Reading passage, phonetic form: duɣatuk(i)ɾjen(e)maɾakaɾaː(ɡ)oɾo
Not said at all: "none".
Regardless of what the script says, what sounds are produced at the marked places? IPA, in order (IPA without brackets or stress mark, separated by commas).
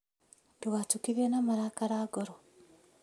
i, a, ɡ